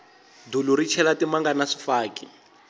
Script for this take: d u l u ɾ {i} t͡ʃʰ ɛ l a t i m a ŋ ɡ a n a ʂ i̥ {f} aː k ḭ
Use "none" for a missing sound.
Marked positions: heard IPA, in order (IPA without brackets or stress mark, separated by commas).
i, f